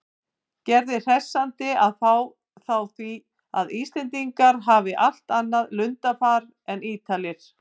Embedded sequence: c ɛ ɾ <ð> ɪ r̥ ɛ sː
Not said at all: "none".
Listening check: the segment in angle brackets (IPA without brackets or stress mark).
ð